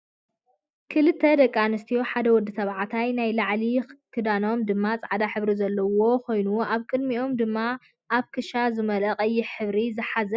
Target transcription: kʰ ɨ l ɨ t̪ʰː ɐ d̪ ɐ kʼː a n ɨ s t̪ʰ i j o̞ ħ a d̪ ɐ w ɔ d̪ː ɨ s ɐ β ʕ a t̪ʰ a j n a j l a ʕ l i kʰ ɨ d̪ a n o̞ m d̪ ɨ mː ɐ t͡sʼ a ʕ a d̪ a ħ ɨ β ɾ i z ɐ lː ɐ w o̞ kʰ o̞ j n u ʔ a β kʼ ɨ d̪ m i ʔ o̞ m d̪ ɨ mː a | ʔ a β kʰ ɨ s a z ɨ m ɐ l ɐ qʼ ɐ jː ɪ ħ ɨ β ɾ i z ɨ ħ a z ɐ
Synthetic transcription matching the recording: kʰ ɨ l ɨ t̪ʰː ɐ d̪ ɐ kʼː a n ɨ s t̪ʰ i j o̞ ħ a d̪ ɐ w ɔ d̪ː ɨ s ɐ β ʕ a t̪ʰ a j n a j l a ʕ l i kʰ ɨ d̪ a n o̞ m d̪ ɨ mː a t͡sʼ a ʕ a d̪ a ħ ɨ β ɾ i z ɐ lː ɐ w o̞ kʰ o̞ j n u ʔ a β kʼ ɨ d̪ m i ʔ o̞ m d̪ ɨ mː a | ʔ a β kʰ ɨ ʃ a z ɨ m ɐ l ɐ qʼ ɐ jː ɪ ħ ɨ β ɾ i z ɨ ħ a z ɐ